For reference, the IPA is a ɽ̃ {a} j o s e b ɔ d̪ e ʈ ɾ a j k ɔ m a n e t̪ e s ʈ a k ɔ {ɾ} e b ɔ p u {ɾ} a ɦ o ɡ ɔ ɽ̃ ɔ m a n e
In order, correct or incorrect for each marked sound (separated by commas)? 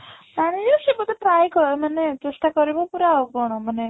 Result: incorrect, correct, correct